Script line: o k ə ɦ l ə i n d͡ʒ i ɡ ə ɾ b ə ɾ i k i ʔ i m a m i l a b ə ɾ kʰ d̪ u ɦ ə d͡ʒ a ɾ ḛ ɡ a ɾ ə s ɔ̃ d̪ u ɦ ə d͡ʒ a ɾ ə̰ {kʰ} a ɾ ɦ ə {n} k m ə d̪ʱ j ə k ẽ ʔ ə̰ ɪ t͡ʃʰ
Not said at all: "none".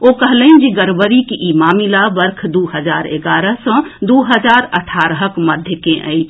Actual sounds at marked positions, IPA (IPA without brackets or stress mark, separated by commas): ʈʰ, none